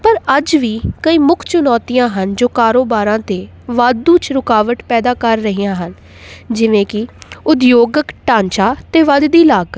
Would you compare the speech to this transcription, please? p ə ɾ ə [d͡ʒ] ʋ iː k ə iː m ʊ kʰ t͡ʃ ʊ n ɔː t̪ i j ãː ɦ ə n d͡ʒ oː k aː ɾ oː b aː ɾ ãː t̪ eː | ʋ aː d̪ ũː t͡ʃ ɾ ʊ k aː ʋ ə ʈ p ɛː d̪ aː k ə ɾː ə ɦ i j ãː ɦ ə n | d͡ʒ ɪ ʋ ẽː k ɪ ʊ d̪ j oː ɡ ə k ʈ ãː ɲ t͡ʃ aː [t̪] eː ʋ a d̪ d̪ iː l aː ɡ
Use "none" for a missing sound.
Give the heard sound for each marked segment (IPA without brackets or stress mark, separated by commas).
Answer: d͡ʒ, t̪